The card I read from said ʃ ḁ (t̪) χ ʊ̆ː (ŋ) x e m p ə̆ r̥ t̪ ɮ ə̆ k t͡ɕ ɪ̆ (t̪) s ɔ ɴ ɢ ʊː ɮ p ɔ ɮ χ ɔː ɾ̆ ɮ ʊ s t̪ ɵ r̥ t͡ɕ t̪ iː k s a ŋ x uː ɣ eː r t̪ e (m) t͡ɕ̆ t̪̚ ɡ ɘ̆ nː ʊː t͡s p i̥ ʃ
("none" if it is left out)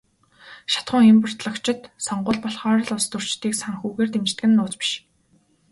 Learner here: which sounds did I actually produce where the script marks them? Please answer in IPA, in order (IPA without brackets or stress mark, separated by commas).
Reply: t̪, ŋ, t̪, m